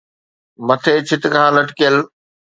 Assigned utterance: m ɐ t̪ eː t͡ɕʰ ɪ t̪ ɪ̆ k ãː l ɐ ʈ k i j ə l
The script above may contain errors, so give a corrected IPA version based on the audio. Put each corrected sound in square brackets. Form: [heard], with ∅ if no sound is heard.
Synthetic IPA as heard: m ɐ [t̪ʰ] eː t͡ɕʰ ɪ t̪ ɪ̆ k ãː l ɐ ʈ k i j ə l